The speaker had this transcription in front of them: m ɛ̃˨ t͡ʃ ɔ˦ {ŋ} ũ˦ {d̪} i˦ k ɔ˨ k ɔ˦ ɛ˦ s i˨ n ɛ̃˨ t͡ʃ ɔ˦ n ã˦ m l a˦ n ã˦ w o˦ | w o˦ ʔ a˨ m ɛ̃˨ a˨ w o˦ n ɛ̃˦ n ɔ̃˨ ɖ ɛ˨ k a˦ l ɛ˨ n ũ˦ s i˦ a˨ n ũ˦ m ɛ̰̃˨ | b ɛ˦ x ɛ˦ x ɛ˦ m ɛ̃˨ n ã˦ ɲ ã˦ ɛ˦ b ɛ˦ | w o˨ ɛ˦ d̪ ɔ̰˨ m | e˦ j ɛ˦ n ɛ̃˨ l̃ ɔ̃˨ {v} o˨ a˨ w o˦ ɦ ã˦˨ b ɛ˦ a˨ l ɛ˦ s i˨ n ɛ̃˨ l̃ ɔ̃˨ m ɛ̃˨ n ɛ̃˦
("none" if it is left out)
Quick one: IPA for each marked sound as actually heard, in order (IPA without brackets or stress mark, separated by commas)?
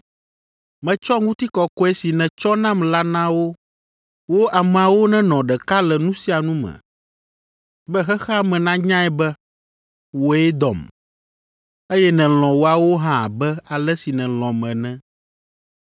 ŋ, t̪, w